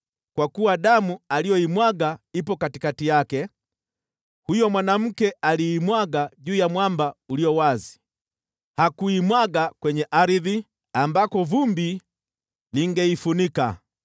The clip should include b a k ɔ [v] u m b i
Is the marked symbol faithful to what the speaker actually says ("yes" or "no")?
yes